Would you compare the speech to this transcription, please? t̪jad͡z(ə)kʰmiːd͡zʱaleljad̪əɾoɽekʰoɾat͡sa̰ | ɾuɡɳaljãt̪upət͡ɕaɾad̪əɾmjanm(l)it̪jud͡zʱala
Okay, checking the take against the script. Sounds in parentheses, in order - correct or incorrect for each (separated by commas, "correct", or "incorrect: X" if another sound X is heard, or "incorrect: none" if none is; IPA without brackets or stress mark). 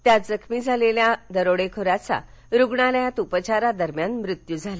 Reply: correct, incorrect: ɾ